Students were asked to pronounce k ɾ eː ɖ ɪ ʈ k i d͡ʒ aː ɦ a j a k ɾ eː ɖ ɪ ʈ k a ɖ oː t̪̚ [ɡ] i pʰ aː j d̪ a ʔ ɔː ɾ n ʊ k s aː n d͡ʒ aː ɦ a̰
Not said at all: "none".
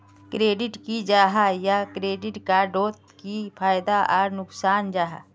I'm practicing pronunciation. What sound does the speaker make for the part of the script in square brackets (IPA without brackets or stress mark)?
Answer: k